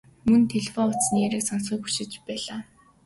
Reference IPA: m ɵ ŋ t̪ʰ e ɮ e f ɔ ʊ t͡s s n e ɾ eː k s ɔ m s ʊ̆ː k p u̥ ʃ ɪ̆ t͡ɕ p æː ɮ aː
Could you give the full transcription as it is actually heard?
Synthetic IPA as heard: m ɵ n t̪ʰ e ɮ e f ɔ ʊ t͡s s n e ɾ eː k s ɔ n s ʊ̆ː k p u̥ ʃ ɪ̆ t͡ɕ p æː ɮ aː